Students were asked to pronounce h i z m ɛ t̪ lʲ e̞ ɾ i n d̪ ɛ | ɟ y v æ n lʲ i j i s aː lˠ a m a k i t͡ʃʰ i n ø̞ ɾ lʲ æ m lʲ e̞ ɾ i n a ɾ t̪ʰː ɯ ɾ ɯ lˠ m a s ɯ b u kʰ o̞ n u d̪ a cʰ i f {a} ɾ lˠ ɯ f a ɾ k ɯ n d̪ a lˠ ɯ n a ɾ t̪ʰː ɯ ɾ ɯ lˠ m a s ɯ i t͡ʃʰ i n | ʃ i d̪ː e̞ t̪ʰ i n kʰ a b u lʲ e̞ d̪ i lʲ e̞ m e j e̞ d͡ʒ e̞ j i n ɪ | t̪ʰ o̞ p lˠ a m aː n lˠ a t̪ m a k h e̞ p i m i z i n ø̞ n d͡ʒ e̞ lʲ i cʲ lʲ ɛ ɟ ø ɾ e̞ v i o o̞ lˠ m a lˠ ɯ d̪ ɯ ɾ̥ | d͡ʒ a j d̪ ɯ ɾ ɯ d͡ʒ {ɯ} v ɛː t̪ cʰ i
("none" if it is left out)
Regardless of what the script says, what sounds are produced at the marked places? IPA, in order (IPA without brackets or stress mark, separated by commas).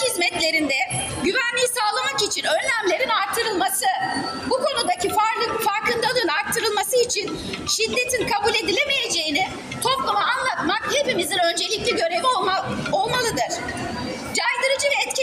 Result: a, ɯ